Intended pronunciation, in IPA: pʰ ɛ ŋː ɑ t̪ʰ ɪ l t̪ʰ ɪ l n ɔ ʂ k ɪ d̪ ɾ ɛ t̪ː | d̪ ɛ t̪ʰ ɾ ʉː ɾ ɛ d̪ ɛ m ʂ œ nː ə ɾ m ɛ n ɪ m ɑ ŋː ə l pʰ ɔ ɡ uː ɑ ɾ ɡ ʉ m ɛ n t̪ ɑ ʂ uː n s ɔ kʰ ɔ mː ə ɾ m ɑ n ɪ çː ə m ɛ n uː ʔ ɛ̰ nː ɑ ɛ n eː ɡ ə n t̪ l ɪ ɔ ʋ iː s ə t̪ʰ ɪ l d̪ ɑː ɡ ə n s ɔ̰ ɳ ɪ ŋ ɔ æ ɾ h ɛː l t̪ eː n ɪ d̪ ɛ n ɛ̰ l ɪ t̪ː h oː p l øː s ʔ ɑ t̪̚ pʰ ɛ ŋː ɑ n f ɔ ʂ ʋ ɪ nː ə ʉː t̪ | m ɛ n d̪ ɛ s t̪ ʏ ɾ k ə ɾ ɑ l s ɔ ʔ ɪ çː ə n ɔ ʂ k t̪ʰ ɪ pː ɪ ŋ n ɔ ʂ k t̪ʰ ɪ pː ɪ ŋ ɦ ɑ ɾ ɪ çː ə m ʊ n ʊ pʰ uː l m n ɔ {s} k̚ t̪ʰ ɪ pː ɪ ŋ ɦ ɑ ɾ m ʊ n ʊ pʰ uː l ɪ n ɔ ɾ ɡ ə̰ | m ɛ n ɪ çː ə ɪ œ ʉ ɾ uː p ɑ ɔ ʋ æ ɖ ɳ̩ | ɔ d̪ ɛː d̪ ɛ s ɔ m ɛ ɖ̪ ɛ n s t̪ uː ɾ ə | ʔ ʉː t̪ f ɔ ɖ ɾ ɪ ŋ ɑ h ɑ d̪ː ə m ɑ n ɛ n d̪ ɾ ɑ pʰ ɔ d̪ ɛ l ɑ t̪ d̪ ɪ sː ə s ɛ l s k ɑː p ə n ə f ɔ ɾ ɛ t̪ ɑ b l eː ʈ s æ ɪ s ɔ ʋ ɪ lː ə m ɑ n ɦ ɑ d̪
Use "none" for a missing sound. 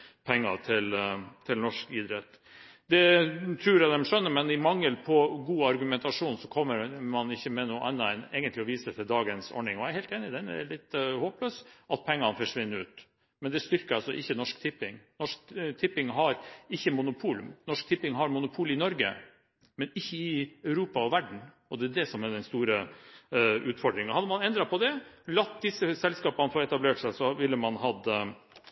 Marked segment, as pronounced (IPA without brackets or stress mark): ʂ